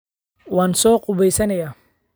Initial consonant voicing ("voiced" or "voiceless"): voiced